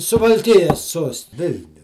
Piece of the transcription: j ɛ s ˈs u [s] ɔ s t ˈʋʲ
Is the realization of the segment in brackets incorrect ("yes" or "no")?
yes